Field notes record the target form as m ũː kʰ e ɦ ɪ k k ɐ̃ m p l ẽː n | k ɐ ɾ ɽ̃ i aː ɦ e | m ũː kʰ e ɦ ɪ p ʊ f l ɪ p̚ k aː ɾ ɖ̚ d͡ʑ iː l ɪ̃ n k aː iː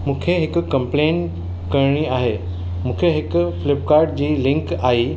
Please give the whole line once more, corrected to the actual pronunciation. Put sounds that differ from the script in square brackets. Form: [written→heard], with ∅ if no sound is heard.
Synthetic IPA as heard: m ũː kʰ e ɦ ɪ k k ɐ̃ m p l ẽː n | k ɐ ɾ ɽ̃ i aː ɦ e | m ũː kʰ e ɦ ɪ [p→k] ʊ f l ɪ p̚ k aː ɾ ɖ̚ d͡ʑ iː l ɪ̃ [n→ŋ] k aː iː